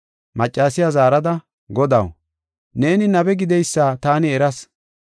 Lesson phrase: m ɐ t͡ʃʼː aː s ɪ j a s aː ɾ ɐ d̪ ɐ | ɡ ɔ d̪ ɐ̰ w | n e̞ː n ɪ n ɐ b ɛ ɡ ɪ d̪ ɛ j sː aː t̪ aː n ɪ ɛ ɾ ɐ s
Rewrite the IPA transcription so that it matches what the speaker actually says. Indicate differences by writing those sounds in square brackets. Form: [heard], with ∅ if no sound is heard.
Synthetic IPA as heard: m ɐ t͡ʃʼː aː s ɪ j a [z] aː ɾ ɐ d̪ ɐ | ɡ ɔ d̪ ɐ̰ w | n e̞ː n ɪ n ɐ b ɛ ɡ ɪ d̪ ɛ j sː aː t̪ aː n ɪ ɛ ɾ ɐ s